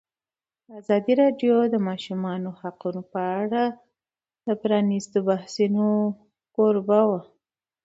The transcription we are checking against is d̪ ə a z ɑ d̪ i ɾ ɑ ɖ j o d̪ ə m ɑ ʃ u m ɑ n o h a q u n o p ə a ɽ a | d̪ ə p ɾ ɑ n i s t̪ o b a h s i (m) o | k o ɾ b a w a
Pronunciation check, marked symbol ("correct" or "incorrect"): incorrect